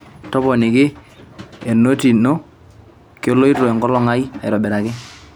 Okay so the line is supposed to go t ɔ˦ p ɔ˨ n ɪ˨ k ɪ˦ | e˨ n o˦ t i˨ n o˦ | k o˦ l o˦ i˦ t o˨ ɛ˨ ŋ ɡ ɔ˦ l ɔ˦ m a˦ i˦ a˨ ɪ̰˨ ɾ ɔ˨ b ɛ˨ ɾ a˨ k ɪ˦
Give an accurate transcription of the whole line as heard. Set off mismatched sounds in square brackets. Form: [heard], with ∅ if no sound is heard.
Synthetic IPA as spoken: t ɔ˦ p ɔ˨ n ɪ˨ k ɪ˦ | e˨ n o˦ t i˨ n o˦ | k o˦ l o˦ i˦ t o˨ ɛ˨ ŋ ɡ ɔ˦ l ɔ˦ [ŋ] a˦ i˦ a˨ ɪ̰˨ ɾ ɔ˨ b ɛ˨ ɾ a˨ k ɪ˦